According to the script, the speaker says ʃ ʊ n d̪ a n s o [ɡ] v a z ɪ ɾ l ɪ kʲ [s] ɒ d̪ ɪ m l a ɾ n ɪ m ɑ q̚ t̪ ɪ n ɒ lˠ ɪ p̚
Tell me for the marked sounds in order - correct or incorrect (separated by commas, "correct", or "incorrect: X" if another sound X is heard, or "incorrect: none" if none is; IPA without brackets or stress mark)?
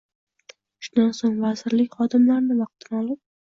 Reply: incorrect: ŋ, incorrect: χ